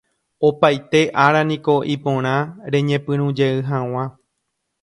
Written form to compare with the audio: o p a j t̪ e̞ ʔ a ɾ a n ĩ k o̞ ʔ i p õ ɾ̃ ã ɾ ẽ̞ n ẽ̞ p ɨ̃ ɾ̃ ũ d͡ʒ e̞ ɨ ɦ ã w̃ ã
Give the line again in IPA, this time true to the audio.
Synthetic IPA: o p a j t̪ e̞ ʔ a ɾ a n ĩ k o̞ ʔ i p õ ɾ̃ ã ɾ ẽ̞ ɲ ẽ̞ p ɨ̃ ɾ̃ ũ d͡ʒ e̞ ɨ ɦ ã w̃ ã